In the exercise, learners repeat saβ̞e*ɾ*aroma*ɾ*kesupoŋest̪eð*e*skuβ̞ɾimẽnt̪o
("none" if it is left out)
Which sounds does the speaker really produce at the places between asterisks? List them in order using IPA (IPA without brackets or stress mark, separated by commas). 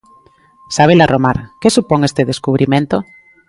l, ɾ, e